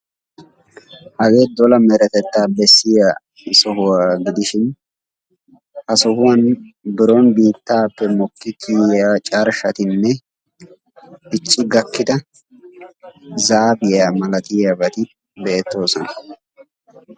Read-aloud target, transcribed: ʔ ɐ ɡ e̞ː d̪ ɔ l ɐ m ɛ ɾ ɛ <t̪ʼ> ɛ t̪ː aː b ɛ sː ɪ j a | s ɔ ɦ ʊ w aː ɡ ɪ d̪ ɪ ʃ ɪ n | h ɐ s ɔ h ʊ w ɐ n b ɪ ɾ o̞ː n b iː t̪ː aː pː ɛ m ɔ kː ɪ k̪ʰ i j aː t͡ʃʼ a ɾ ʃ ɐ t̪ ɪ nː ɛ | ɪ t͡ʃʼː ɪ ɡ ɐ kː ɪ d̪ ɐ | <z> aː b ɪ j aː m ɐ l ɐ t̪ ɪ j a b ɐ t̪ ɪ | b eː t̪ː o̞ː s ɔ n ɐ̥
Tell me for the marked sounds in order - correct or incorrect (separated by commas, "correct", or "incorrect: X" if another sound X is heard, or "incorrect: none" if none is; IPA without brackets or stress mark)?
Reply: incorrect: t̪, correct